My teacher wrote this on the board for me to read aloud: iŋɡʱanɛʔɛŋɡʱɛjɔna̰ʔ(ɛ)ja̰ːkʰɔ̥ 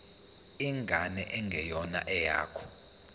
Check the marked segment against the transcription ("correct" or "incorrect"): correct